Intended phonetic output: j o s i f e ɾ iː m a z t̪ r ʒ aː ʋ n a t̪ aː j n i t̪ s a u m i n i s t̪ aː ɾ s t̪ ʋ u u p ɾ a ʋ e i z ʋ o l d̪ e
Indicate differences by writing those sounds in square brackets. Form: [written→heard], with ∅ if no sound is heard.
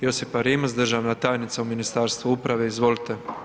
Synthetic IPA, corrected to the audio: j o s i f [e→a] ɾ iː m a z [t̪→d̪] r ʒ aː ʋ n a t̪ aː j n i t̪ s a u m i n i s t̪ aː ɾ s t̪ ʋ u u p ɾ a ʋ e i z ʋ o l [d̪→t̪] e